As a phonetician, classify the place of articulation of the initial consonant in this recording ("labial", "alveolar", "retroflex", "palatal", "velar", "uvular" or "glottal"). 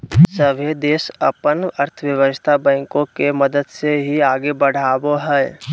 alveolar